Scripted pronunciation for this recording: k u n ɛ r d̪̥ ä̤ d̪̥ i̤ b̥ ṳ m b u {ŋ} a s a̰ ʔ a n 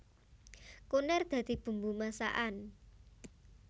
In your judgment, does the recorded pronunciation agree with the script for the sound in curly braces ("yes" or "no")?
no